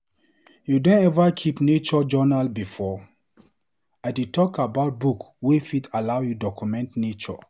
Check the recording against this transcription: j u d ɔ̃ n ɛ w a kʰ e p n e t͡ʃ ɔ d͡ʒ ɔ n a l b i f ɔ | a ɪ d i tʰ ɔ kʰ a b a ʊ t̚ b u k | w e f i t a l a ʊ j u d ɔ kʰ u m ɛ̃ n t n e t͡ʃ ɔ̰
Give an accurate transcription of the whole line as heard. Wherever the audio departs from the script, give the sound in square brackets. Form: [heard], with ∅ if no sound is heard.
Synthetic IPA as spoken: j u d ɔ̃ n ɛ [v] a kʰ [i] p n e t͡ʃ ɔ d͡ʒ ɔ n a l b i f ɔ | a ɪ d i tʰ ɔ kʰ a b a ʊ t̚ b u k | w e f i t a l a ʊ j u d ɔ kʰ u m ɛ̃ n t n e t͡ʃ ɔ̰